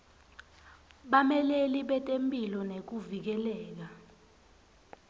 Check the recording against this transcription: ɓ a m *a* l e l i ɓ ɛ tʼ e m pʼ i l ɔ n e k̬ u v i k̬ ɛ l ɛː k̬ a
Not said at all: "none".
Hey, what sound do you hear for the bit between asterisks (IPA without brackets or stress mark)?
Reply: ɛ